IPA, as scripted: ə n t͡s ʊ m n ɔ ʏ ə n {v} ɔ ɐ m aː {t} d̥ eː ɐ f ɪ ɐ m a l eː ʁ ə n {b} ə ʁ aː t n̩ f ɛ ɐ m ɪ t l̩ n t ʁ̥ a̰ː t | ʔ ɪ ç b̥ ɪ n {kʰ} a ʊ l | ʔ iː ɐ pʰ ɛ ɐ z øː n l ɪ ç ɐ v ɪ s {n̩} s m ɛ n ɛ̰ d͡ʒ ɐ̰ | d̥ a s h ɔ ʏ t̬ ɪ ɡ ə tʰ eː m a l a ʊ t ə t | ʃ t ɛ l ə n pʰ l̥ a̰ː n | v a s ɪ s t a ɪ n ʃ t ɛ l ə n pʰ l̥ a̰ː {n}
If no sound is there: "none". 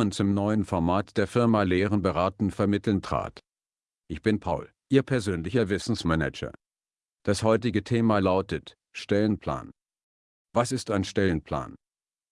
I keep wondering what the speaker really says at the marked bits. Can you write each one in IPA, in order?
f, t, b, pʰ, n̩, n

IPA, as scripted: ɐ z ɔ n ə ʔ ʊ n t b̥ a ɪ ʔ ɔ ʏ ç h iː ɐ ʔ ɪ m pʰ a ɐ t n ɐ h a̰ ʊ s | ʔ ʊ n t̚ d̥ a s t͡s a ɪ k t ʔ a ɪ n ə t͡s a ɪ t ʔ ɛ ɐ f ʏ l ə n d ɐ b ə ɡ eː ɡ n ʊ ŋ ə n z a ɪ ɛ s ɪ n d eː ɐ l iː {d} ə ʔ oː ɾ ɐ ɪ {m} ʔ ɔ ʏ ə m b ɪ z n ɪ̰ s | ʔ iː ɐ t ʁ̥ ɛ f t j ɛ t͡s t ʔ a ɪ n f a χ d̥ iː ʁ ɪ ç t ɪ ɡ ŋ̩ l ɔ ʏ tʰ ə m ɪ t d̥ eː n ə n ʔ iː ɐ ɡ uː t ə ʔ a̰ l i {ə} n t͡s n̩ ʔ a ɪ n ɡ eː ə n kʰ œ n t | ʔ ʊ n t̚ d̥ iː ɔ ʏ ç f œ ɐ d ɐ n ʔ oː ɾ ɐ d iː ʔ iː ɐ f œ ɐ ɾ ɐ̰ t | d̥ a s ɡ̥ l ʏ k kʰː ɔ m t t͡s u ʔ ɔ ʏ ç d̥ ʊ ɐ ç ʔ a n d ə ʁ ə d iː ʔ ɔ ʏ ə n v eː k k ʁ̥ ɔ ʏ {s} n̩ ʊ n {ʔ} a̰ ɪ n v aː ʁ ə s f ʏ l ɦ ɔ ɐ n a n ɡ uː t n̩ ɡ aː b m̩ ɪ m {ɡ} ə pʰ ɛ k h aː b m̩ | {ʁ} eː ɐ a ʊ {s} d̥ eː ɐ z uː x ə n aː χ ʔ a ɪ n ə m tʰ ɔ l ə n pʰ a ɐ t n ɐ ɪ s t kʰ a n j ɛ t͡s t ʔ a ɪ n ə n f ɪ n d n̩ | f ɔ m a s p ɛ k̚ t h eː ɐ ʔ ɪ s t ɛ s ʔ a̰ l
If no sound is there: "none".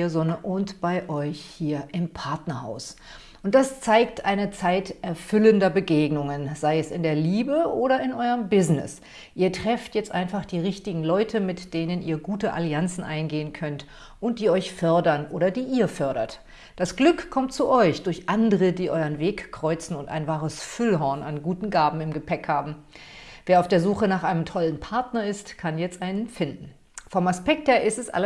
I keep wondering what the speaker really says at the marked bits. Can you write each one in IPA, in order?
b, n, a, t͡s, t, ɡ, v, f

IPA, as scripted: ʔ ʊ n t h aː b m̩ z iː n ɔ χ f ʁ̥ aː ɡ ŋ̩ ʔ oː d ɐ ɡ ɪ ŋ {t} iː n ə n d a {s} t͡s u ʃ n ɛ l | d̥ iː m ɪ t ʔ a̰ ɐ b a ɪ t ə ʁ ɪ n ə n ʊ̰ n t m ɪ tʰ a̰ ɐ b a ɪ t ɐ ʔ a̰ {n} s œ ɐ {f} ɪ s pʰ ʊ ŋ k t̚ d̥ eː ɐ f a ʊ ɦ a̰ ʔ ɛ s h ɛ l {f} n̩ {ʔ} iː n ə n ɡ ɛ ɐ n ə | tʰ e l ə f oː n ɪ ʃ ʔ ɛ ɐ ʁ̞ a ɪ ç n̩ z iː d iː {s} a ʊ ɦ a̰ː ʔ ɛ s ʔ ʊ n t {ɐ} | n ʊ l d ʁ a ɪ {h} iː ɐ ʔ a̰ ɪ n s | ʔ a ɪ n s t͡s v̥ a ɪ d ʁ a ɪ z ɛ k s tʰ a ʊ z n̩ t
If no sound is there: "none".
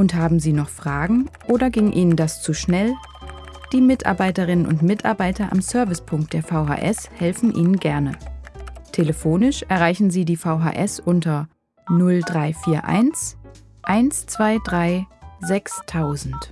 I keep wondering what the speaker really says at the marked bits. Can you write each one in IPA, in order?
ʔ, s, m, v, f, ʔ, f, ɐ, f

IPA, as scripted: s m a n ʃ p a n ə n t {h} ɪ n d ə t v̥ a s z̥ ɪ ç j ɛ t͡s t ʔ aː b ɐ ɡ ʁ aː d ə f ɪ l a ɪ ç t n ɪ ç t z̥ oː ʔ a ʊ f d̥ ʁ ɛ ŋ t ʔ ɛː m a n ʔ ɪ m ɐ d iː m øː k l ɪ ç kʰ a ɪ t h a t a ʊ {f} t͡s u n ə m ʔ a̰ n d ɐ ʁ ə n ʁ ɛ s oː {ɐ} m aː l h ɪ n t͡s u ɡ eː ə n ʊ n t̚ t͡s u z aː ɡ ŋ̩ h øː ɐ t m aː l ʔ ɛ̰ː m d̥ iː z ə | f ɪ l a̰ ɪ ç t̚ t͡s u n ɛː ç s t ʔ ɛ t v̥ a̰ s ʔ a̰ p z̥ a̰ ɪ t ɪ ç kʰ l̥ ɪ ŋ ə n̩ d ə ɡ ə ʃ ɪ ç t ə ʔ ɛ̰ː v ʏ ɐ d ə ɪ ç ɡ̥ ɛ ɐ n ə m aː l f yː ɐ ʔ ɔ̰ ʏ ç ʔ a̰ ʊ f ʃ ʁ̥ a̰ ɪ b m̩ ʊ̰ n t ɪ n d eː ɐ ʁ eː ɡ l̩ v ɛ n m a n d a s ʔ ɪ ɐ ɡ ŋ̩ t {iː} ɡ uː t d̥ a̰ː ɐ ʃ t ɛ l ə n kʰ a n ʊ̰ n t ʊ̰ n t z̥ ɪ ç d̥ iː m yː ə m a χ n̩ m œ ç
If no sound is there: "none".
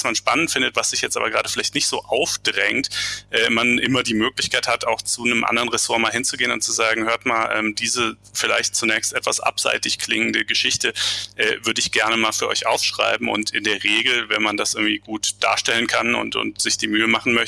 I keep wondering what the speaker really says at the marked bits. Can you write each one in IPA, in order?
f, x, ɐ, iː

